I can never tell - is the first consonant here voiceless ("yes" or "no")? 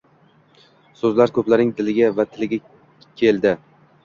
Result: yes